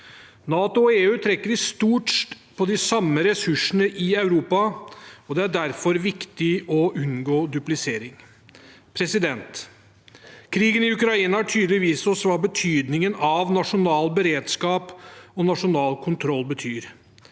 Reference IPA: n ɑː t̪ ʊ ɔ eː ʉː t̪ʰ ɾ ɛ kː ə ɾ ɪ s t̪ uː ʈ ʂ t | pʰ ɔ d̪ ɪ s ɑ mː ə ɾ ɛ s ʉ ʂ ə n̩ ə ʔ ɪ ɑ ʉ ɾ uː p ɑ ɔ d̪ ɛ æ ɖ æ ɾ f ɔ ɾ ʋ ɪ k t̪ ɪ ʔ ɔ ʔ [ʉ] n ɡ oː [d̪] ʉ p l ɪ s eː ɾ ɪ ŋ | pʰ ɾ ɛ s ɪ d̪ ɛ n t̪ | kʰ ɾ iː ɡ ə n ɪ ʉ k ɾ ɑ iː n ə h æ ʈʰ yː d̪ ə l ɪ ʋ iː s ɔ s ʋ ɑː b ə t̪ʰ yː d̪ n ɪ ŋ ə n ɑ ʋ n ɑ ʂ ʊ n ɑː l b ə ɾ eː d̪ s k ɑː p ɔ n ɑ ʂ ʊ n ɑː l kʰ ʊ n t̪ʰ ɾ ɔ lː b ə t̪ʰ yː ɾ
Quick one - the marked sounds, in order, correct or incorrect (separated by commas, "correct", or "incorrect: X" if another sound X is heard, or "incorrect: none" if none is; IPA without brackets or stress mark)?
correct, correct